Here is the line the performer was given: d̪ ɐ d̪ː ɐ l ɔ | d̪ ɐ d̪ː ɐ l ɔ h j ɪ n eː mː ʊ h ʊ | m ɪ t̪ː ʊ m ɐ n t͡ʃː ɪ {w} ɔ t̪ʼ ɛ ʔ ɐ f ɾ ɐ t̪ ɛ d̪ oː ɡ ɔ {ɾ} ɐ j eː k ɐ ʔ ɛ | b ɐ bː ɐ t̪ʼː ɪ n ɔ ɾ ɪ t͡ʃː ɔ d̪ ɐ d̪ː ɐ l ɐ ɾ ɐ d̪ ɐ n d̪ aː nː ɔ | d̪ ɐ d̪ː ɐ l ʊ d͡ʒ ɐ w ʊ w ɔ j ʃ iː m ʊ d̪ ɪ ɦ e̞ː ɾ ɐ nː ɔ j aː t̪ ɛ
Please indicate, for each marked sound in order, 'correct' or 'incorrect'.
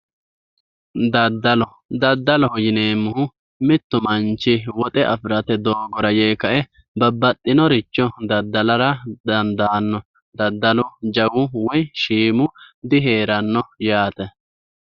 correct, correct

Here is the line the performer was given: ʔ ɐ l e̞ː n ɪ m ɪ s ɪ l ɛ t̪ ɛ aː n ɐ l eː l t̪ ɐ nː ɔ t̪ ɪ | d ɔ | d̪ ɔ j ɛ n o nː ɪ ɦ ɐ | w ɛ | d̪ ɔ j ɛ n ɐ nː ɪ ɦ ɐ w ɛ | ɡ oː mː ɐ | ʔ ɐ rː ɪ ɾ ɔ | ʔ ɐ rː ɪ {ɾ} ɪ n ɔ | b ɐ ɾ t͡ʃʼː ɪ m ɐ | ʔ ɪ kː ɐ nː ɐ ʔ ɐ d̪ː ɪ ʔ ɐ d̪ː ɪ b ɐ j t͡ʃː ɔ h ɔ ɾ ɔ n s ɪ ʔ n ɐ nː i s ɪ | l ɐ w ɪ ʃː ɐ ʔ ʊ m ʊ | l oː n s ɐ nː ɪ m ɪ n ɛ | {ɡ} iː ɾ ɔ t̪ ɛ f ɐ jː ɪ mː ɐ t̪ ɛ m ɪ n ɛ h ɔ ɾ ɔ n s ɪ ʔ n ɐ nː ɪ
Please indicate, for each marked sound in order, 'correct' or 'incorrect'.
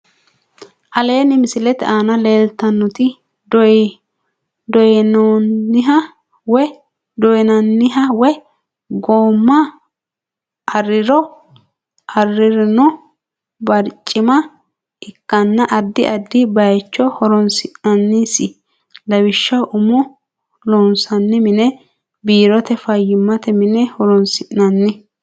correct, incorrect: b

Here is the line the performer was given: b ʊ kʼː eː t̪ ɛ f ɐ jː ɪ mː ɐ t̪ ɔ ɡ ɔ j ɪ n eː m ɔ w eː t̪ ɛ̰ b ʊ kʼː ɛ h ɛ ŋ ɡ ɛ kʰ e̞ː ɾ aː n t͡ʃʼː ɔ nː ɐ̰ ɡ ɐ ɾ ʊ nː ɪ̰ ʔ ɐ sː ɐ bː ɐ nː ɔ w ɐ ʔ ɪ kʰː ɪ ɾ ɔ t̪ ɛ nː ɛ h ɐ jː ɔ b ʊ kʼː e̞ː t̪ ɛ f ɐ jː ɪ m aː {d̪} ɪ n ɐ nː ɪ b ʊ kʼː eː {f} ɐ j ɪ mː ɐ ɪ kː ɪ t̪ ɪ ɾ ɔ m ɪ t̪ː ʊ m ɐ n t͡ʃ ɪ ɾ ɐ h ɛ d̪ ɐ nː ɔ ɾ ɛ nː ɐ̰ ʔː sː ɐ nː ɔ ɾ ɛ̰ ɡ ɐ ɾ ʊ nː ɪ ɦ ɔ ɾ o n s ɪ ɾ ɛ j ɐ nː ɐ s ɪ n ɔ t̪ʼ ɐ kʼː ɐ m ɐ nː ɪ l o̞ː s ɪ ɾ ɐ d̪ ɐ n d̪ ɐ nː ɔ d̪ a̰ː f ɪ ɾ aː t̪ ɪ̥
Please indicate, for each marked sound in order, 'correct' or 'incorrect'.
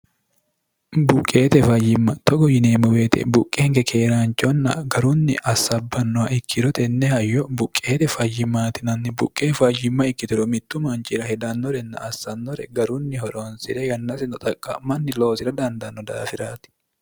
incorrect: t̪, correct

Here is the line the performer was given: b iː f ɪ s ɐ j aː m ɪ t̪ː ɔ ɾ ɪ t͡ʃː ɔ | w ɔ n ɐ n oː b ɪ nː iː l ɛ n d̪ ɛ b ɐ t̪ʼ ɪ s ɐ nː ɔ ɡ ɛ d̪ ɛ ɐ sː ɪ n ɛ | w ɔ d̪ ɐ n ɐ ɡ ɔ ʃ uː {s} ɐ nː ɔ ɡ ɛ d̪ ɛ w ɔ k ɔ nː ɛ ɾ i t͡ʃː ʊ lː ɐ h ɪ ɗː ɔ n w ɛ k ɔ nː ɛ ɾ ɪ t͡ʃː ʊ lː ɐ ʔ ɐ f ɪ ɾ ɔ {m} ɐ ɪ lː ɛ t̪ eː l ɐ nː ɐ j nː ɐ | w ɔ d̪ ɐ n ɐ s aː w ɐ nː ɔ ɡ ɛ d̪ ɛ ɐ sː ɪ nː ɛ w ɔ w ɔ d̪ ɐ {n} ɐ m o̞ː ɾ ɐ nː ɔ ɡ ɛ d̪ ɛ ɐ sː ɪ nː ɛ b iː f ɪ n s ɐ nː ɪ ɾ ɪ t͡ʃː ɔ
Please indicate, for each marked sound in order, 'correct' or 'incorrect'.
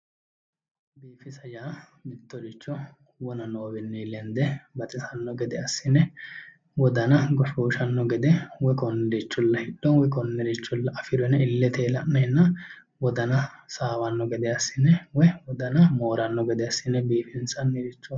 incorrect: ʃ, incorrect: n, correct

